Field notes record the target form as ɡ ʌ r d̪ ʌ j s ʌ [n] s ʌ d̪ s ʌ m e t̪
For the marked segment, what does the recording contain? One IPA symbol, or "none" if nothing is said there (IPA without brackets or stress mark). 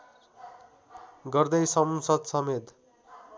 m